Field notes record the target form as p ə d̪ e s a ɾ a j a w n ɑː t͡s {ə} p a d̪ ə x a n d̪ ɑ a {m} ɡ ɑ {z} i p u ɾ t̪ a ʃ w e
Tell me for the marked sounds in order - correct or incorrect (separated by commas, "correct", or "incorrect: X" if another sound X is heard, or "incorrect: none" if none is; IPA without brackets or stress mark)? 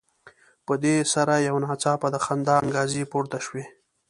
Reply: incorrect: ɑ, incorrect: ŋ, correct